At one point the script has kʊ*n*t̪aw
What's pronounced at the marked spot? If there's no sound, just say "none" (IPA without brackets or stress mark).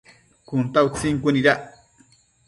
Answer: n